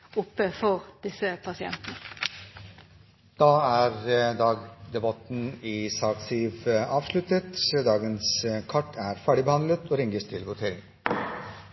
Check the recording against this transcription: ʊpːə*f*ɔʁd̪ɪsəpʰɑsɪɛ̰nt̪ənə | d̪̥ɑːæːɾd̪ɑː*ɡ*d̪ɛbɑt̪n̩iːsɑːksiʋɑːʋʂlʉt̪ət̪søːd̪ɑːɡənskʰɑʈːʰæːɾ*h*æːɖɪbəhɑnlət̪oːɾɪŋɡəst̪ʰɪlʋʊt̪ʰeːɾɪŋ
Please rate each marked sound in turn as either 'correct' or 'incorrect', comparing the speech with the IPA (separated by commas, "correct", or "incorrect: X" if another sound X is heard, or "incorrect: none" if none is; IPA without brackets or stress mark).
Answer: correct, correct, incorrect: f